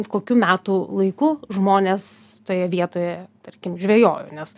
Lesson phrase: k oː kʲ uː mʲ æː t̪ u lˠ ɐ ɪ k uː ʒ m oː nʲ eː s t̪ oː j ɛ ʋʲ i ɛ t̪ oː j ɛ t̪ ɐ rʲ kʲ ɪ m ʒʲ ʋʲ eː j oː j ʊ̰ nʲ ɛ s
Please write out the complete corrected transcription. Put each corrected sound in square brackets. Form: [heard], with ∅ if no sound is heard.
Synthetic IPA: k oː kʲ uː mʲ æː t̪ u lˠ ɐ ɪ k uː ʒ m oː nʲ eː s t̪ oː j ɛ ʋʲ i ɛ t̪ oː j ɛ t̪ ɐ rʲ kʲ ɪ m ʒʲ ʋʲ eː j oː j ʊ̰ nʲ ɛ s